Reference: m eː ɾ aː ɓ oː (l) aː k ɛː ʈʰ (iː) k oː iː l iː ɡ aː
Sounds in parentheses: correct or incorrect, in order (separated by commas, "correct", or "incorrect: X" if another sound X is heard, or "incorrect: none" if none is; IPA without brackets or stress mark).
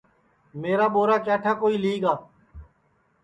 incorrect: ɾ, incorrect: aː